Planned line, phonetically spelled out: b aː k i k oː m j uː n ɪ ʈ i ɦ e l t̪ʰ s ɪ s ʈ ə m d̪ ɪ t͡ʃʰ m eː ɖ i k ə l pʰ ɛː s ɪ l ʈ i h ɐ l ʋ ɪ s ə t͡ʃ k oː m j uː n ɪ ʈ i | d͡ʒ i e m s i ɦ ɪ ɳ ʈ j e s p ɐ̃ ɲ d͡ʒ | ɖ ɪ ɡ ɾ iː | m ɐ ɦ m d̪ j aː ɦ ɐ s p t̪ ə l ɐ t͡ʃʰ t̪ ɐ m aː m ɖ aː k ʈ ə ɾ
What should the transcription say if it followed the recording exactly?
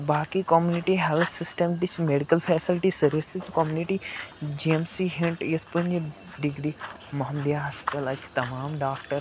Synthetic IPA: b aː k i k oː m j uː n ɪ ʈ i ɦ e l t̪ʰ s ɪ s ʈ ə m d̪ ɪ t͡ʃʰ m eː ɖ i k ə l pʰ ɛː s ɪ l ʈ i s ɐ ɾ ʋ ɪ s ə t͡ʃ k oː m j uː n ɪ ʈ i | d͡ʒ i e m s i ɦ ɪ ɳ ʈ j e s p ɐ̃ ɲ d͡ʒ | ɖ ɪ ɡ ɾ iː | m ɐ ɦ m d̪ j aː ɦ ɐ s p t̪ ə l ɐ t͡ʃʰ t̪ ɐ m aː m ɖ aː k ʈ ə ɾ

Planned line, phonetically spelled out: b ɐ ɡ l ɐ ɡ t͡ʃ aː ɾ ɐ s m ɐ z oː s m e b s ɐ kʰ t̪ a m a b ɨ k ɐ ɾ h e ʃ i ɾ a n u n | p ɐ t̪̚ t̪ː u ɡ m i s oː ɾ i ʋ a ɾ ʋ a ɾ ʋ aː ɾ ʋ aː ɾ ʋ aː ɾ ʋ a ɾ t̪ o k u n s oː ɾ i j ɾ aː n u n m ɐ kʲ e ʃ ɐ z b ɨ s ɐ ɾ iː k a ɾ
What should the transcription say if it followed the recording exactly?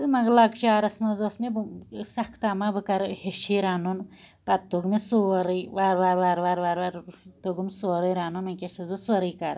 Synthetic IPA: m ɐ ɡ l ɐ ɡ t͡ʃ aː ɾ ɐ s m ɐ z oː s m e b s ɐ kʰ t̪ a m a b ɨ k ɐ ɾ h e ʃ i ɾ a n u n | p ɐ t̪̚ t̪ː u ɡ m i s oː ɾ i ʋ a ɾ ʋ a ɾ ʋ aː ɾ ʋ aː ɾ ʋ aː ɾ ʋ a ɾ t̪ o ɡ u m s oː ɾ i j ɾ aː n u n m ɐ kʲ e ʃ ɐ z b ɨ s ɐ ɾ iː k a ɾ

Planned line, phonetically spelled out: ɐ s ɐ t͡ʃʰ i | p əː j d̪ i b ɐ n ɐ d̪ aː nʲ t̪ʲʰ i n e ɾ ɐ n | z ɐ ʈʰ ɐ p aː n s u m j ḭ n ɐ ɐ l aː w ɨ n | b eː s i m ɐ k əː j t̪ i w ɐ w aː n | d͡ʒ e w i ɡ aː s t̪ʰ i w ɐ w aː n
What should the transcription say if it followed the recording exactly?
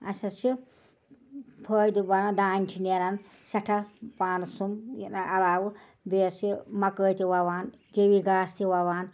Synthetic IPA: ɐ s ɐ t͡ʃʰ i | pʰ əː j d̪ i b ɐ n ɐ d̪ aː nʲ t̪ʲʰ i n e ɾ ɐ n | s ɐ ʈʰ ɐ p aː n s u m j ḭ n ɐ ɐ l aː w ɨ | b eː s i m ɐ k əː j t̪ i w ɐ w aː n | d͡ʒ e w i ɡ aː s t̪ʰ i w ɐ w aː n

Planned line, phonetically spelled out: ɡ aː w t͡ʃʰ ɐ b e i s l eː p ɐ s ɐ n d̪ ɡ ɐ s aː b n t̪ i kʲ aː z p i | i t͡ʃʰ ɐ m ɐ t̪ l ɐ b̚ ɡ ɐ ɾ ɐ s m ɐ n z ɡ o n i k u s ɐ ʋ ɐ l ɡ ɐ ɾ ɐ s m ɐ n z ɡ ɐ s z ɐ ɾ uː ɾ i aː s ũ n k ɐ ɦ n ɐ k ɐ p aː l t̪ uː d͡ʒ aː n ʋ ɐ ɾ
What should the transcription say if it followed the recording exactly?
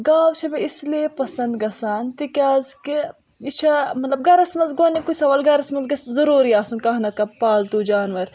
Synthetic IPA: ɡ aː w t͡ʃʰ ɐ b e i s l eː p ɐ s ɐ n d̪ ɡ ɐ s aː n t̪ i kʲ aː z k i | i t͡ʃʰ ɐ m ɐ t̪ l ɐ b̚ ɡ ɐ ɾ ɐ s m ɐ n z ɡ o n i k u s ɐ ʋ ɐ l ɡ ɐ ɾ ɐ s m ɐ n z ɡ ɐ s z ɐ ɾ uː ɾ i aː s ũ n k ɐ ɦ n ɐ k ɐ p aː l t̪ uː d͡ʒ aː n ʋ ɐ ɾ

